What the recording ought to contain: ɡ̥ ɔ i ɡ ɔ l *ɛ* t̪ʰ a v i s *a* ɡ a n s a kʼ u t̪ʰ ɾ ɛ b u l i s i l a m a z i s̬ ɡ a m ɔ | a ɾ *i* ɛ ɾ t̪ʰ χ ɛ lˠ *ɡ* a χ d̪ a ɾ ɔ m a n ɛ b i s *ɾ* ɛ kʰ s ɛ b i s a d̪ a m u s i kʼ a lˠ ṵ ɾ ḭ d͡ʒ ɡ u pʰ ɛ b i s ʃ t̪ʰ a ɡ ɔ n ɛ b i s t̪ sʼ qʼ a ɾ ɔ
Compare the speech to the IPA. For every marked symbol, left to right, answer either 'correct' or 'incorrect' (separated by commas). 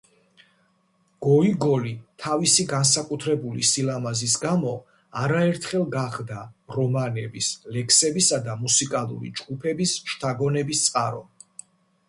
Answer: incorrect, incorrect, incorrect, correct, incorrect